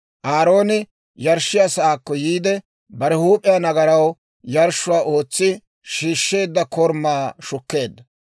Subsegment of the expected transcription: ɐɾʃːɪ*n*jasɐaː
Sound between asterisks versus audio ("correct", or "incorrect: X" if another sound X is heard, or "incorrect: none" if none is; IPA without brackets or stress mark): incorrect: none